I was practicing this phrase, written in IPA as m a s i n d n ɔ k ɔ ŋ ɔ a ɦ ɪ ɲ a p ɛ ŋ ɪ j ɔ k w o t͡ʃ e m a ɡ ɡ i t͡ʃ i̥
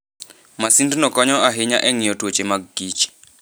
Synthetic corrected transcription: m a s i n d n ɔ k ɔ ɲ ɔ a ɦ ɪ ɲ a ʔ ɛ ŋ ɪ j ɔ t w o t͡ʃ e m a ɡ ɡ i t͡ʃ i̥